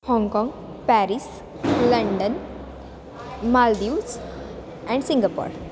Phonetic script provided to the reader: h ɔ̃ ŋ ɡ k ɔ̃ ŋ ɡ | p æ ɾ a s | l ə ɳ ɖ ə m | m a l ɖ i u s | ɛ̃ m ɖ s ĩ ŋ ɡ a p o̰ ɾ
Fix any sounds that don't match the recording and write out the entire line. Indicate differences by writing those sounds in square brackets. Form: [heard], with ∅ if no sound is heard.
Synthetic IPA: h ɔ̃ ŋ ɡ k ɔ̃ ŋ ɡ | p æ ɾ [i] s | l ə ɳ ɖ ə [n] | m a l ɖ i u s | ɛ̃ [ɳ] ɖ s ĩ ŋ ɡ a p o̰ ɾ